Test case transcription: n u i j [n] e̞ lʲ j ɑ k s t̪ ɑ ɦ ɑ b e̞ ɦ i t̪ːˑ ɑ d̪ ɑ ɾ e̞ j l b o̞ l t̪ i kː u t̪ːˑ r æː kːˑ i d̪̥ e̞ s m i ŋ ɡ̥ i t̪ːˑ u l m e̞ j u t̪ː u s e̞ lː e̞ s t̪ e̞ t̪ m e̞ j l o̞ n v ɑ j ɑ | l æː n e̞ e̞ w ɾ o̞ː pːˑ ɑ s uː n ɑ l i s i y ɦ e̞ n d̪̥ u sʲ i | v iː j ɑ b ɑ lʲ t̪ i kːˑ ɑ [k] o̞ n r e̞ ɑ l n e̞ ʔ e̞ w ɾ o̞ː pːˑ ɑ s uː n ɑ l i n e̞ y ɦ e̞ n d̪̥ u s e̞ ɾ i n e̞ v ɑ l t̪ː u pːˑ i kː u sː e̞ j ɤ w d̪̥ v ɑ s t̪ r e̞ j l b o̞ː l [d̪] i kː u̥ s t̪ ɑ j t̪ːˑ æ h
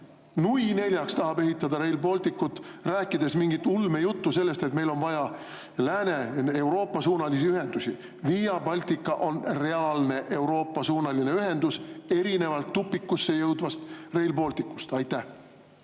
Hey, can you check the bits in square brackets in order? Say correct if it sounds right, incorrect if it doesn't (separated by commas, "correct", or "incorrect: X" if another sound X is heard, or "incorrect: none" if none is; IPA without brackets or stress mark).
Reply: correct, incorrect: ʔ, incorrect: t̪